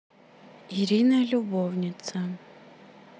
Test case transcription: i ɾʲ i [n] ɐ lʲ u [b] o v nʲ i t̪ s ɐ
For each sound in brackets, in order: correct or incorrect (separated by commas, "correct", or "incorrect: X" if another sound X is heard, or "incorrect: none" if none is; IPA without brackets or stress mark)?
correct, correct